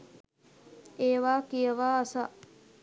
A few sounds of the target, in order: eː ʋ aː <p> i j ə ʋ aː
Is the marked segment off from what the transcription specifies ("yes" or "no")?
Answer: yes